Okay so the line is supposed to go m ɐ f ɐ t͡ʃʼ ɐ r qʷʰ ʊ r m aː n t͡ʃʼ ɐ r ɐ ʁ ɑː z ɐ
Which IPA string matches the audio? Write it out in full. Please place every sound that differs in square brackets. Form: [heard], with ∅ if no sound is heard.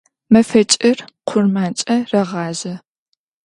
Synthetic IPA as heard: m ɐ f ɐ t͡ʃʼ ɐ r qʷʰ ʊ r m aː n t͡ʃʼ ɐ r ɐ ʁ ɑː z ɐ